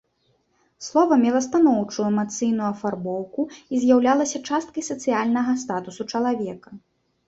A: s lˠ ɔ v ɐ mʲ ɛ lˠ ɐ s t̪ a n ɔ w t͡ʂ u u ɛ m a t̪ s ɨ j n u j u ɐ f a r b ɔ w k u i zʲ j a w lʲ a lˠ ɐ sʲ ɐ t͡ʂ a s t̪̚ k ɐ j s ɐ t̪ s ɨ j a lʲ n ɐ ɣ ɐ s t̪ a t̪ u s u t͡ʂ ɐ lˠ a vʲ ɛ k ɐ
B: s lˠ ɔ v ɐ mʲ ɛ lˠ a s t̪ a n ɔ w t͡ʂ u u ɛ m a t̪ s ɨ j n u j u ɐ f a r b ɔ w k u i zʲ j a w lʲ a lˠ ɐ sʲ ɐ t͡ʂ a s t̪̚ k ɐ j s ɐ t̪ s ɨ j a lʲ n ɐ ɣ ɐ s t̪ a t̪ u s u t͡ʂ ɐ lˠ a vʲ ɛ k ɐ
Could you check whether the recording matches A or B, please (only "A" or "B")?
A